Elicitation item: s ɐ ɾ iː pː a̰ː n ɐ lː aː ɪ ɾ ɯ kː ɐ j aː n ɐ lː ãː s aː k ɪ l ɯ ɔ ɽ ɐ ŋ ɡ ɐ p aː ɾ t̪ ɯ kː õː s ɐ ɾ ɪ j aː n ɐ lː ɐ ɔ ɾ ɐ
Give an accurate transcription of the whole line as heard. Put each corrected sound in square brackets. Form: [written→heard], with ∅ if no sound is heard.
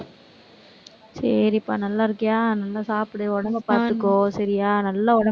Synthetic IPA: s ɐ ɾ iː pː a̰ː n ɐ lː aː ɪ ɾ ɯ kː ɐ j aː n ɐ lː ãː s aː [k→p] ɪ [l→ɽ] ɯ ɔ ɽ ɐ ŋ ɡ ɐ p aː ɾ t̪ ɯ kː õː s ɐ ɾ ɪ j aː n ɐ lː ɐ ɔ [ɾ→ɽ] ɐ